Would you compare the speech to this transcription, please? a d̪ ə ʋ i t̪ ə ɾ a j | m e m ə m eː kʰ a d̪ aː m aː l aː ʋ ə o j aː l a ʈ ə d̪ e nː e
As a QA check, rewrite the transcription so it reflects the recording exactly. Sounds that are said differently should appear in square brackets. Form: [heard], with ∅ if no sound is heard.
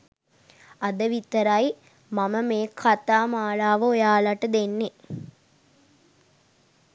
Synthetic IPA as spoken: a d̪ ə ʋ i t̪ ə ɾ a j | m [a] m ə m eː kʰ a [t̪] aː m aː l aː ʋ ə o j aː l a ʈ ə d̪ e nː e